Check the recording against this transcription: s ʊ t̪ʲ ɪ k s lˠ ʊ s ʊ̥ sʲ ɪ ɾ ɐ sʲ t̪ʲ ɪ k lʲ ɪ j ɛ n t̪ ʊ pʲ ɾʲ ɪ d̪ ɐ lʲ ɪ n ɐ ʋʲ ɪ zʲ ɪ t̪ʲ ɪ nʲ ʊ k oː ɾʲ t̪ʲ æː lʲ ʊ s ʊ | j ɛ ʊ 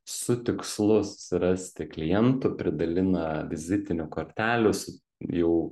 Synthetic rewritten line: s ʊ t̪ʲ ɪ k s lˠ ʊ s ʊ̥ sʲ ɪ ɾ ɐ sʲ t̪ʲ ɪ k lʲ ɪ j ɛ n t̪ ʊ pʲ ɾʲ ɪ d̪ ɐ lʲ ɪ n ɐ ʋʲ ɪ zʲ ɪ t̪ʲ ɪ nʲ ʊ k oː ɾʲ t̪ʲ æː lʲ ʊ s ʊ | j ɛ ʊ

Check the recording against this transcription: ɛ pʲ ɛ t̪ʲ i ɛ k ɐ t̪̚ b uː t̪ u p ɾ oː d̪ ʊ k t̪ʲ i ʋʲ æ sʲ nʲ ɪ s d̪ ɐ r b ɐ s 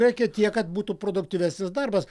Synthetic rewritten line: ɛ kʲ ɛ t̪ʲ i ɛ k ɐ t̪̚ b uː t̪ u p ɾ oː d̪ ʊ k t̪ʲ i ʋʲ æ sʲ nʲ ɪ s d̪ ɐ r b ɐ s

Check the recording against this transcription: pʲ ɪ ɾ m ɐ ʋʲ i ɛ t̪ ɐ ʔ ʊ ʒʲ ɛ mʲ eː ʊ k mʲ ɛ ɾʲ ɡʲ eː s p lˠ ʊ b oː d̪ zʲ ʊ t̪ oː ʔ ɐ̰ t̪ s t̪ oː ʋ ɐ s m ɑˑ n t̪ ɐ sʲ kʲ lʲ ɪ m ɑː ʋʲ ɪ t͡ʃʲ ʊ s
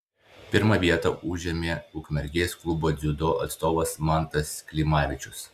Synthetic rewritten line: pʲ ɪ ɾ m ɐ ʋʲ i ɛ t̪ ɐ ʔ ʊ ʒʲ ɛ mʲ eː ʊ k mʲ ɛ ɾʲ ɡʲ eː s k lˠ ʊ b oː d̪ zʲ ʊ d̪ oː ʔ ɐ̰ t̪ s t̪ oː ʋ ɐ s m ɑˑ n t̪ ɐ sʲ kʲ lʲ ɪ m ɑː ʋʲ ɪ t͡ʃʲ ʊ s

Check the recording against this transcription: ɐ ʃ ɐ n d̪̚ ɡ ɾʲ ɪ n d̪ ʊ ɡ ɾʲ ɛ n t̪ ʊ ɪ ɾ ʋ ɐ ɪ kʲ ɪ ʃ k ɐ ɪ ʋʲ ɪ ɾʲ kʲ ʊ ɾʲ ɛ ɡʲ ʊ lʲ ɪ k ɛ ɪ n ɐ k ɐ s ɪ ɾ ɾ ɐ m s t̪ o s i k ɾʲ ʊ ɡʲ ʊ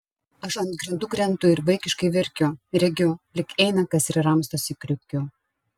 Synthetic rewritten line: ɐ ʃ ɐ n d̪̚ ɡ ɾʲ ɪ n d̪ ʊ ɡ ɾʲ ɛ n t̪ ʊ ɪ ɾ ʋ ɐ ɪ kʲ ɪ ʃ k ɐ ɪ ʋʲ ɪ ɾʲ kʲ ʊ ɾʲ ɛ ɡʲ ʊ lʲ ɪ k ɛ ɪ n ɐ k ɐ s ɪ ɾ ɾ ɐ m s t̪ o s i k ɾʲ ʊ kʲ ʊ

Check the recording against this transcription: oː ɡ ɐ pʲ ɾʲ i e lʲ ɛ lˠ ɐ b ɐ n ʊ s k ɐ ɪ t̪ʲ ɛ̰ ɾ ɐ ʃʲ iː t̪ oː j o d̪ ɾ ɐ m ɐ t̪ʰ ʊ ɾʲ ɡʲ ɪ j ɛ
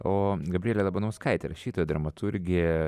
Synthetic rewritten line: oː ɡ ɐ bʲ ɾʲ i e lʲ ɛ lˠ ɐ b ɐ n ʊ s k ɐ ɪ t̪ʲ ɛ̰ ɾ ɐ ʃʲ iː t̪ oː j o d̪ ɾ ɐ m ɐ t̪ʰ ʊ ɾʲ ɡʲ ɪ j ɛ

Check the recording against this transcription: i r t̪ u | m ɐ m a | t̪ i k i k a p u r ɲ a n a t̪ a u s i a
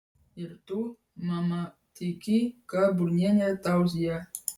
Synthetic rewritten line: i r t̪ u | m a m a | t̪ i k i k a b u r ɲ a ɲ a t̪ a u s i a

